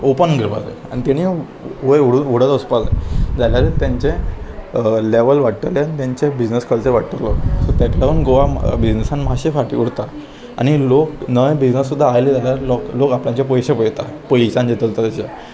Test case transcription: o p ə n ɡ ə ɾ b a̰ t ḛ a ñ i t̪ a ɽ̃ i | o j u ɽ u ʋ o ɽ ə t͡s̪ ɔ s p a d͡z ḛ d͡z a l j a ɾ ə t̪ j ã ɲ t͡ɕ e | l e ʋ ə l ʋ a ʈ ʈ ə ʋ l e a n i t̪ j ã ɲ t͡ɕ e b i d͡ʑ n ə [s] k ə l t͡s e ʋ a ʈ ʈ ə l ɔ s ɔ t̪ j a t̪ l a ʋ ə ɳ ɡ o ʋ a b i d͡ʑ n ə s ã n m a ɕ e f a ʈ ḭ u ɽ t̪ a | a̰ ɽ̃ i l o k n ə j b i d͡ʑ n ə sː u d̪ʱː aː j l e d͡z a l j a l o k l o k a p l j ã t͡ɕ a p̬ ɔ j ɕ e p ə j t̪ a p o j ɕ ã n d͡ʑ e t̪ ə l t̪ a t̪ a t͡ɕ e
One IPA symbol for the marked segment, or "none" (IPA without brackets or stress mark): s